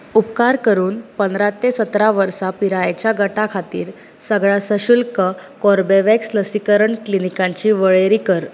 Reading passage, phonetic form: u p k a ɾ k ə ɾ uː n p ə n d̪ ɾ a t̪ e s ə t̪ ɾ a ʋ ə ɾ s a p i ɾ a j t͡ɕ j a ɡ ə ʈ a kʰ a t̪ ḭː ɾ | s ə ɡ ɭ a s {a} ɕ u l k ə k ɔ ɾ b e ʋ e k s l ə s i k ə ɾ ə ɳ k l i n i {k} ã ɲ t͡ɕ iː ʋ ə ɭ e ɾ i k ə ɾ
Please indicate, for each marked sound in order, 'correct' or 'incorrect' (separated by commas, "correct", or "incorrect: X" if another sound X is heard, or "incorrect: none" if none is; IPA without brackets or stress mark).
incorrect: ə, correct